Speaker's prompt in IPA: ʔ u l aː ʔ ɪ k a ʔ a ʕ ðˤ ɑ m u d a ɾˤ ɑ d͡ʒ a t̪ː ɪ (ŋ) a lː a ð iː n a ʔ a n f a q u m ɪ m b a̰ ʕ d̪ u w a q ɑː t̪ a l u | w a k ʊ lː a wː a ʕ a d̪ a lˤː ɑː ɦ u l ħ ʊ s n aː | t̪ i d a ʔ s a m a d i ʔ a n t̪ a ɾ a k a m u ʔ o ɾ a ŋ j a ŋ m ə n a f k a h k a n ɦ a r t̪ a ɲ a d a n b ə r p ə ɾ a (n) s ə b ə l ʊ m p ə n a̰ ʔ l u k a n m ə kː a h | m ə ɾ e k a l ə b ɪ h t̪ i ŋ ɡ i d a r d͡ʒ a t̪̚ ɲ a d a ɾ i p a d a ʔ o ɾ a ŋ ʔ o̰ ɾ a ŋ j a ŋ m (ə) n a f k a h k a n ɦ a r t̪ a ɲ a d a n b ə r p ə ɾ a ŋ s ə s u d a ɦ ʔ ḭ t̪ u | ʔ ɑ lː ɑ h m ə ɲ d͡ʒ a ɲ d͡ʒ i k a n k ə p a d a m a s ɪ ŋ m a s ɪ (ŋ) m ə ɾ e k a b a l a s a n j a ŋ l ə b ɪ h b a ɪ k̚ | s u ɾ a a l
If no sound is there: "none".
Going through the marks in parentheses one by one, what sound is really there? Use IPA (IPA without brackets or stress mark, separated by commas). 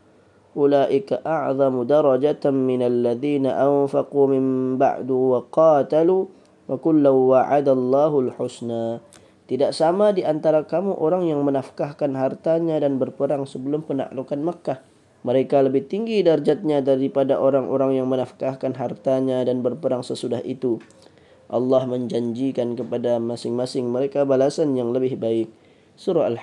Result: n, ŋ, ə, ŋ